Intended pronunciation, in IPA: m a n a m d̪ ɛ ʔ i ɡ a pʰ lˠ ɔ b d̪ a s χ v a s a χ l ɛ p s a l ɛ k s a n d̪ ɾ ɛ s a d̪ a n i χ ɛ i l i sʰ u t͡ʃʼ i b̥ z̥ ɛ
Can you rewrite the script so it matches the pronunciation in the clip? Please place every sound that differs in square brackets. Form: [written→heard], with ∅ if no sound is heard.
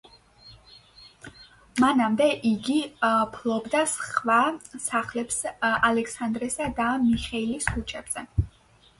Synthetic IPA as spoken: m a n a m d̪ ɛ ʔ i ɡ [a→i] pʰ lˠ ɔ b d̪ a s χ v a s a χ l ɛ p s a l ɛ k s a n d̪ ɾ ɛ s a d̪ a [n→m] i χ ɛ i l i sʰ u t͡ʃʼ [i→ɛ] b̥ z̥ ɛ

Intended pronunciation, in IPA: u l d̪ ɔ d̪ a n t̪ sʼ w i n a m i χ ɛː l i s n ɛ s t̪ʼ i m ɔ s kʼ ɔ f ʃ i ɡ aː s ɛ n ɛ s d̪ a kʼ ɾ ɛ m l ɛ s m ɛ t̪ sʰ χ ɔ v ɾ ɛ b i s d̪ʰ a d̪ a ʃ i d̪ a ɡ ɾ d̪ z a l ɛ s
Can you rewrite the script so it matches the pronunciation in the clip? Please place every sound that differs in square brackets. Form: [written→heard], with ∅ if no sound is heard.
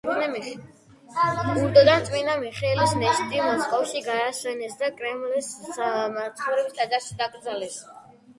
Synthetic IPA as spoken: u [l→ɾ] d̪ ɔ d̪ a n t̪ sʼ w i n a m i χ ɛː l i s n ɛ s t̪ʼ i m ɔ s kʼ ɔ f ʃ i ɡ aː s ɛ n ɛ s d̪ a kʼ ɾ ɛ m l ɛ s m [ɛ→a] t̪ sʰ χ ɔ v ɾ ɛ b i s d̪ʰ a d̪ a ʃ i d̪ a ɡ ɾ d̪ z a l ɛ s

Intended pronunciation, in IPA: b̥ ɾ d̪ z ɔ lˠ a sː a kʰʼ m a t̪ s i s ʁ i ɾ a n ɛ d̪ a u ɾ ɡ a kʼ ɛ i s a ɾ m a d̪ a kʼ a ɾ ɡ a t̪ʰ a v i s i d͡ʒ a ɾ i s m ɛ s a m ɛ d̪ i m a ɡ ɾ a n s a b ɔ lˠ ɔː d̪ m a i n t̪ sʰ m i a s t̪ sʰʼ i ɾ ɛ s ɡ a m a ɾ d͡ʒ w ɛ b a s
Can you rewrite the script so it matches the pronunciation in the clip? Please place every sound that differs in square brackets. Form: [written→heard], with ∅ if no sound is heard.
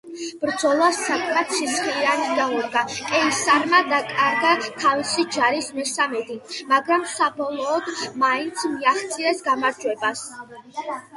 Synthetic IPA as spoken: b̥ ɾ d̪ z ɔ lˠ a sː a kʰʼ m a t̪ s i s [ʁ→χ] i ɾ a n [ɛ→i] d̪ a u ɾ ɡ a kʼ ɛ i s a ɾ m a d̪ a kʼ a ɾ ɡ a t̪ʰ a v i s i d͡ʒ a ɾ i s m ɛ s a m ɛ d̪ i m a ɡ ɾ a [n→m] s a b ɔ lˠ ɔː d̪ m a i n t̪ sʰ m i a [s→χ] t̪ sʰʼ i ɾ ɛ s ɡ a m a ɾ d͡ʒ w ɛ b a s

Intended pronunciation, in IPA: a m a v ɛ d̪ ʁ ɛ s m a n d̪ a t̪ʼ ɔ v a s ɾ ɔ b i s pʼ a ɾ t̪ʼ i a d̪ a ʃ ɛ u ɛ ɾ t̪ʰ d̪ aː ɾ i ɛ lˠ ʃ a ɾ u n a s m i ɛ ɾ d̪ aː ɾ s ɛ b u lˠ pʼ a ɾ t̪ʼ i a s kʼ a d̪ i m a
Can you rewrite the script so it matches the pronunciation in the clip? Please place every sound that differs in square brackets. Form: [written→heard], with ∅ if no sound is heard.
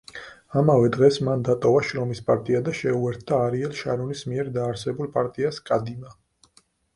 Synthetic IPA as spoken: a m a v ɛ d̪ ʁ ɛ s m a n d̪ a t̪ʼ ɔ v a [s→ʃ] ɾ ɔ [b→m] i s pʼ a ɾ t̪ʼ i a d̪ a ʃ ɛ u ɛ ɾ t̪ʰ d̪ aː ɾ i ɛ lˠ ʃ a ɾ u n [a→i] s m i ɛ ɾ d̪ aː ɾ s ɛ b u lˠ pʼ a ɾ t̪ʼ i a s kʼ a d̪ i m a

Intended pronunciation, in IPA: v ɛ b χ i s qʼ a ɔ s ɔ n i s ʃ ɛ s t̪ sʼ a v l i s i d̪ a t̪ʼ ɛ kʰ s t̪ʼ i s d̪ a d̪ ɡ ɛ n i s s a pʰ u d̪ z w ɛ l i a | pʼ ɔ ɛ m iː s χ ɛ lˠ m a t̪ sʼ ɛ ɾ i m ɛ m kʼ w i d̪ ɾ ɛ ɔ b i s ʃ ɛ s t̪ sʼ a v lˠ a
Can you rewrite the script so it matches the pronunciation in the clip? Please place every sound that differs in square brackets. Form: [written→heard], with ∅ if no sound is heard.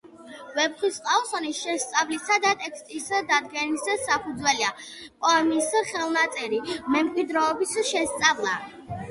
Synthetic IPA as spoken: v ɛ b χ i s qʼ a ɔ s ɔ n i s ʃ ɛ s t̪ sʼ a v l i s [i→a] d̪ a t̪ʼ ɛ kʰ s t̪ʼ i s d̪ a d̪ ɡ ɛ n i s s a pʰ u d̪ z w ɛ l i a | pʼ ɔ ɛ m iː s χ ɛ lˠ [m→n] a t̪ sʼ ɛ ɾ i m ɛ m kʼ w i d̪ ɾ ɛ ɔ b i s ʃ ɛ s t̪ sʼ a v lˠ a

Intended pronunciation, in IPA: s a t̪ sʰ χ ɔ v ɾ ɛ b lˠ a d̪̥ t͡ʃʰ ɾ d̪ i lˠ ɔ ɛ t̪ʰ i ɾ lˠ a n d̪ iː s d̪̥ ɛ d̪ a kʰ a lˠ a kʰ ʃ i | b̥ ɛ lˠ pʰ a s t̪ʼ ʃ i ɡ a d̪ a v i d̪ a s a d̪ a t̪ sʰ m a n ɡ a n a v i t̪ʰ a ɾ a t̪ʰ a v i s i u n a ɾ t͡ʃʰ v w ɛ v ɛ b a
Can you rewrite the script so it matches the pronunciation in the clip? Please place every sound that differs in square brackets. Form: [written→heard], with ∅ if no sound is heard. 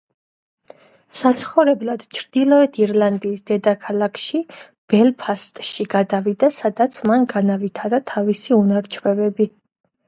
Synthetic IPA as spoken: s a t̪ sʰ χ ɔ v ɾ ɛ b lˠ a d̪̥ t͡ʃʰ ɾ d̪ i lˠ ɔ ɛ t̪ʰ i ɾ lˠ a n d̪ iː s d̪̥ ɛ d̪ a kʰ a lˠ a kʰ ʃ i | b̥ ɛ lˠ pʰ a s t̪ʼ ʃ i ɡ a d̪ a v i d̪ a s a d̪ a t̪ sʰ m a n ɡ a n a v i t̪ʰ a ɾ a t̪ʰ a v i s i u n a ɾ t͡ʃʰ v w ɛ v ɛ b [a→i]

